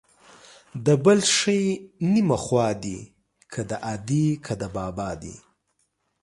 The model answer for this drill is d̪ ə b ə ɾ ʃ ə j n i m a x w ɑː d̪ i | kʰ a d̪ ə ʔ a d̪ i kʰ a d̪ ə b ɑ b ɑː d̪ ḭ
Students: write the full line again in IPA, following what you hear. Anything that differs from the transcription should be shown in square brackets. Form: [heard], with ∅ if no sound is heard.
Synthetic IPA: d̪ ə b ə [l] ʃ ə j n i m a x w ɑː d̪ i | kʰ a d̪ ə ʔ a d̪ i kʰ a d̪ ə b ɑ b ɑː d̪ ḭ

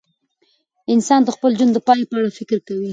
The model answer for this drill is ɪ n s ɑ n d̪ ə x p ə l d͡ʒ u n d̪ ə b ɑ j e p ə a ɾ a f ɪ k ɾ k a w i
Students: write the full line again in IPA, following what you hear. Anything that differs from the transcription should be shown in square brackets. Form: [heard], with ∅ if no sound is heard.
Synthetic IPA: ɪ n s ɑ n d̪ ə x p ə l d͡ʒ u n d̪ ə [p] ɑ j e p ə a [ɽ] a f ɪ k ɾ k a w i

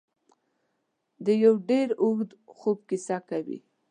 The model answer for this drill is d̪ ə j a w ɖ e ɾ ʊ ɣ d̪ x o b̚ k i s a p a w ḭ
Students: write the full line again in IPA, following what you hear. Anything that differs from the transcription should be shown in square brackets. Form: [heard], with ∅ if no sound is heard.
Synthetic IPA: d̪ ə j a w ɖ e ɾ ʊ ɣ d̪ x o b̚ k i s a [k] a w ḭ

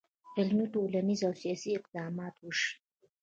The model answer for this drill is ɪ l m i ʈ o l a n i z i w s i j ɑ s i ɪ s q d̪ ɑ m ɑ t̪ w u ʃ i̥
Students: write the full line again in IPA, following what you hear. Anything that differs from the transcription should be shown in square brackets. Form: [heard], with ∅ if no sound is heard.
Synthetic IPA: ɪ l m i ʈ o l a n i z [a] w s i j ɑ s i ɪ [∅] q d̪ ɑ m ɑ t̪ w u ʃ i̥

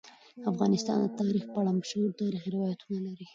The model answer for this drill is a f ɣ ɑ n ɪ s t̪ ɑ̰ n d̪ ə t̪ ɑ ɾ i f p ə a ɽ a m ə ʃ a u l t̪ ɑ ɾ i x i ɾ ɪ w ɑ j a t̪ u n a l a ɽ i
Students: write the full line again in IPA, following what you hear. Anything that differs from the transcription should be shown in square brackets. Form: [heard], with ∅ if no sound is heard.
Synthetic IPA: a f ɣ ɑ n ɪ s t̪ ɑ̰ n d̪ ə t̪ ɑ ɾ i [x] p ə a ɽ a m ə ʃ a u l t̪ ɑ ɾ i x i ɾ ɪ w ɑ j a t̪ u n a l a [ɾ] i

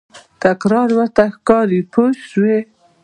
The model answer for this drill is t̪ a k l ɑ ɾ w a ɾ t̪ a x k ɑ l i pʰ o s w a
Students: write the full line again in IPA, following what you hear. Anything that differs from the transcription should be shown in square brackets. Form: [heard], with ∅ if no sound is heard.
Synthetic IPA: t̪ a k [ɾ] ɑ ɾ w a ɾ t̪ a x k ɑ [ɾ] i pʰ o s w [e]

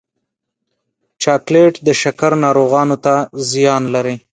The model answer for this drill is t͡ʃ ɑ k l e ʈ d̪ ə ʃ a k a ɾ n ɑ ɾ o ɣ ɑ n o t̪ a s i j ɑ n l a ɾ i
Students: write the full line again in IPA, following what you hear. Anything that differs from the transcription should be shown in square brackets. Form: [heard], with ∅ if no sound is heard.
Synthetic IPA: t͡ʃ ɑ k l e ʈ d̪ ə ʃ a k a ɾ n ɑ ɾ o ɣ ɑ n o t̪ a [z] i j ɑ n l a ɾ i

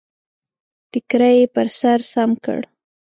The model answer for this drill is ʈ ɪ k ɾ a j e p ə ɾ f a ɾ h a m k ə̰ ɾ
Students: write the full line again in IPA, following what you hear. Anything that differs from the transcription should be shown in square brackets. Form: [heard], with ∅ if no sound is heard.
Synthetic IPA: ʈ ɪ k ɾ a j e p ə ɾ [s] a ɾ [s] a m k ə̰ [ɽ]

